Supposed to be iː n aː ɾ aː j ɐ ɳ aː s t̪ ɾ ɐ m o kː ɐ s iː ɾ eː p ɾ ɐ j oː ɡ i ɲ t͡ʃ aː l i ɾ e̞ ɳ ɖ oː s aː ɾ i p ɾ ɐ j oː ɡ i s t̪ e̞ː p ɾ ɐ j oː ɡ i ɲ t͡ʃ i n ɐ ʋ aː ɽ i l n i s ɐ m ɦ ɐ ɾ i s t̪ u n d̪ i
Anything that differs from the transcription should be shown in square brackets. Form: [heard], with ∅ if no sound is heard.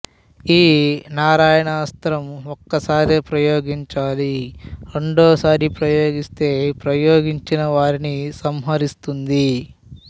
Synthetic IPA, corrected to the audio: iː n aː ɾ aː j ɐ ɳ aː s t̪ ɾ ɐ m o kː ɐ s [aː] ɾ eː p ɾ ɐ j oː ɡ i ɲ t͡ʃ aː l i ɾ e̞ ɳ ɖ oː s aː ɾ i p ɾ ɐ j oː ɡ i s t̪ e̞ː p ɾ ɐ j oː ɡ i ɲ t͡ʃ i n ɐ ʋ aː [ɾ] i [∅] n i s ɐ m ɦ ɐ ɾ i s t̪ u n d̪ i